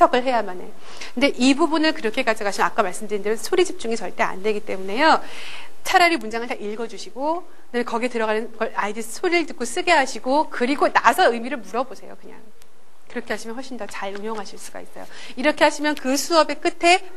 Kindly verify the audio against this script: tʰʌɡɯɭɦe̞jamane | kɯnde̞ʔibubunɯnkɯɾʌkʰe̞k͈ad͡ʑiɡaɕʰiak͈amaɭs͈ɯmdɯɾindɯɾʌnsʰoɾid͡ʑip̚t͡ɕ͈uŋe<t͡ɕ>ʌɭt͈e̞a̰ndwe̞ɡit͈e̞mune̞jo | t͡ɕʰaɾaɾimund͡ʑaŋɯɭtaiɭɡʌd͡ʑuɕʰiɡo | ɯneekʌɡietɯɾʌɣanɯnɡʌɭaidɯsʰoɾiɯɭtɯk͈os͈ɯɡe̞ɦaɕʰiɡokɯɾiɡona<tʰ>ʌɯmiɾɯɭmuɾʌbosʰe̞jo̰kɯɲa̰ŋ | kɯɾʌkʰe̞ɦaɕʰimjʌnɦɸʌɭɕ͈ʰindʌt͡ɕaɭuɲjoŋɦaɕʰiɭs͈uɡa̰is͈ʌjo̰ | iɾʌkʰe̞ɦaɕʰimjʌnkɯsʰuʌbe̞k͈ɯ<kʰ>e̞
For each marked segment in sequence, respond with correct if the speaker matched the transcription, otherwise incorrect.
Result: correct, incorrect: sʰ, incorrect: tʰ

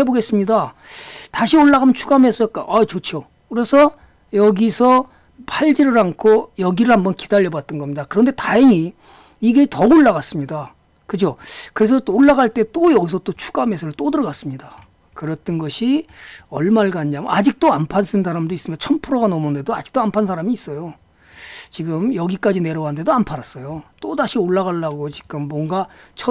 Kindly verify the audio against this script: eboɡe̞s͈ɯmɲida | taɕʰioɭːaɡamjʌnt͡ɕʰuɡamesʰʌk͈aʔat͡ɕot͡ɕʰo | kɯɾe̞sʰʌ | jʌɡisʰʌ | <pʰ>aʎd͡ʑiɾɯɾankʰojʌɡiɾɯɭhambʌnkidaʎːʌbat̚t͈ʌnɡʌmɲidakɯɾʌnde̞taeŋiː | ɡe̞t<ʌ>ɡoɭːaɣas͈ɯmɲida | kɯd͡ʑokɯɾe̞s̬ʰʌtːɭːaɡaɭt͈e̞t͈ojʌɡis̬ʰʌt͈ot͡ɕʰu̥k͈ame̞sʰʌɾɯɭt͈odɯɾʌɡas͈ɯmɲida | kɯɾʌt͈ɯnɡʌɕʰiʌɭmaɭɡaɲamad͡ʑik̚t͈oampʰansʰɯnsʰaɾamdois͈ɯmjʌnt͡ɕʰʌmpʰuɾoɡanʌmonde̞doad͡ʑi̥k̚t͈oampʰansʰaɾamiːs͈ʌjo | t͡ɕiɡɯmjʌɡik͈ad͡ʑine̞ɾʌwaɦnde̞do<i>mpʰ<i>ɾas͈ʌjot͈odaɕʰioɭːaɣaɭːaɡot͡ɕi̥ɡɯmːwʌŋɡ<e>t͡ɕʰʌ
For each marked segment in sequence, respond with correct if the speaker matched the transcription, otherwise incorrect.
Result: correct, correct, incorrect: a, incorrect: a, incorrect: a

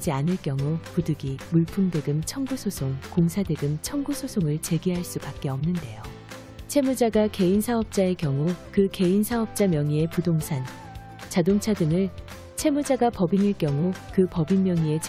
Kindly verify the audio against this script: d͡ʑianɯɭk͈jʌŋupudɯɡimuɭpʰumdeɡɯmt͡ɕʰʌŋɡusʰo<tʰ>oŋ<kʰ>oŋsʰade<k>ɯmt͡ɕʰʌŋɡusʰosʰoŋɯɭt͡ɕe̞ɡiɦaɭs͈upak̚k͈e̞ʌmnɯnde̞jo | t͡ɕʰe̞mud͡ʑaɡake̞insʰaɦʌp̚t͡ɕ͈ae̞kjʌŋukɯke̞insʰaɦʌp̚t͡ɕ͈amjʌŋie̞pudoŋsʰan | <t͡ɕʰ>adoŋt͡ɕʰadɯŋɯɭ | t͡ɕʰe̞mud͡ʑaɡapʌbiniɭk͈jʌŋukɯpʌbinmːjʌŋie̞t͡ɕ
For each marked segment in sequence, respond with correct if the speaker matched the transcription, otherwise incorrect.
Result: incorrect: sʰ, incorrect: k, incorrect: ɡ, incorrect: t͡ɕ

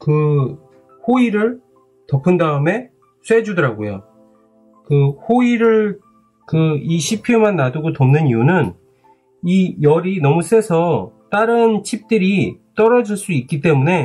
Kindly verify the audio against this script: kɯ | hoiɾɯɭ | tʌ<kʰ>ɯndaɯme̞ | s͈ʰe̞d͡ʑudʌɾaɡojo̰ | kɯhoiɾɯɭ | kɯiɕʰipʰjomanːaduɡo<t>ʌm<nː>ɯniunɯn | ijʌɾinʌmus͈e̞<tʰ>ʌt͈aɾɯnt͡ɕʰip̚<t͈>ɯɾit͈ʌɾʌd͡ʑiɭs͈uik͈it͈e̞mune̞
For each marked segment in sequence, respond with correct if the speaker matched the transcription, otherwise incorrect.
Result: incorrect: pʰ, correct, incorrect: n, incorrect: sʰ, correct

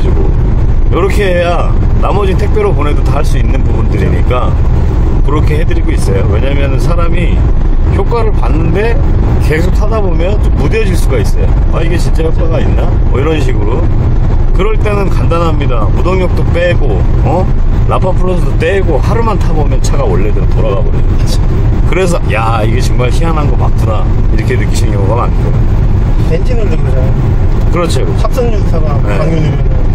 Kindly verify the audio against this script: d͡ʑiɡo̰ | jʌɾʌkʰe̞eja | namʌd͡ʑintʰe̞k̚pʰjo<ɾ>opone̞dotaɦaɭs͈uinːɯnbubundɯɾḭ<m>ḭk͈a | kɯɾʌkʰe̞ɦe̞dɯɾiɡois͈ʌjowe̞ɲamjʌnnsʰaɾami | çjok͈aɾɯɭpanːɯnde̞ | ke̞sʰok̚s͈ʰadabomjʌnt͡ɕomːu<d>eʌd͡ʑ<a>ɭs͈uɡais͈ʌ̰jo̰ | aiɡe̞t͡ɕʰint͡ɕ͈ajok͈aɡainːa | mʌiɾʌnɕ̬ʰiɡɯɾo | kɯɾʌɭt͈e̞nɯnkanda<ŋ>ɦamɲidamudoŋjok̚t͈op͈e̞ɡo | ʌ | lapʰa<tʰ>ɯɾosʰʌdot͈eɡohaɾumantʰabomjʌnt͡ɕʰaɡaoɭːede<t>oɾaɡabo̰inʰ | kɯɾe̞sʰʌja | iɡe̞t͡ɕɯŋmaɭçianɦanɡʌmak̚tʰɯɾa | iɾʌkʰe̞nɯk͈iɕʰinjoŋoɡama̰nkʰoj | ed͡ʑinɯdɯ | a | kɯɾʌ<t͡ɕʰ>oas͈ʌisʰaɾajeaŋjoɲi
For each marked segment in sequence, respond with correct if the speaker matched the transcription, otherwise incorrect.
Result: correct, incorrect: ɲ, correct, incorrect: i, incorrect: n, incorrect: pʰ, correct, correct

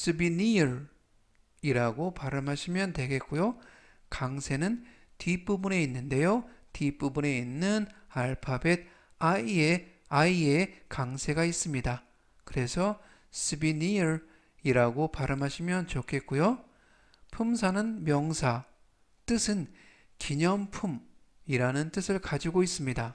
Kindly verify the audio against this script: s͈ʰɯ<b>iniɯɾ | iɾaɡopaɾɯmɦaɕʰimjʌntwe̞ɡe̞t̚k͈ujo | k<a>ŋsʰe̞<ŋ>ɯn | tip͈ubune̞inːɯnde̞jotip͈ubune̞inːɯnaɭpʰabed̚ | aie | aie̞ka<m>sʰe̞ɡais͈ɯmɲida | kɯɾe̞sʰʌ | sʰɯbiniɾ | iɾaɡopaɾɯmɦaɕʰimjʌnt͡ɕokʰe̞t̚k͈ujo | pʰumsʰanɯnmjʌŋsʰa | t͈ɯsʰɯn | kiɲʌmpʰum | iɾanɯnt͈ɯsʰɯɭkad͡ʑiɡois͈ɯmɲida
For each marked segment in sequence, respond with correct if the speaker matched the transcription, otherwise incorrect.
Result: correct, correct, incorrect: n, incorrect: ŋ

